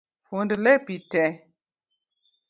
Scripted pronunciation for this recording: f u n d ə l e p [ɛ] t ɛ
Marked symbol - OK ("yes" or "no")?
no